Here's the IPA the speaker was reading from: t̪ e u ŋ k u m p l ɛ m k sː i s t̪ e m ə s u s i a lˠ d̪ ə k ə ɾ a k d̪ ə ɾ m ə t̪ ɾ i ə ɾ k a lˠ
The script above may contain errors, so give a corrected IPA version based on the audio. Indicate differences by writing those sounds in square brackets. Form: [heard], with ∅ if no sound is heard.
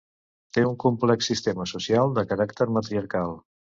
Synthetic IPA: t̪ e u ŋ k u m p l ɛ [∅] k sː i s t̪ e m ə s u s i a lˠ d̪ ə k ə ɾ a k [t̪] ə ɾ m ə t̪ ɾ i ə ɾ k a lˠ